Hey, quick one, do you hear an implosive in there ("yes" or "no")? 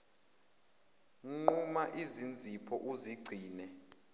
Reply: no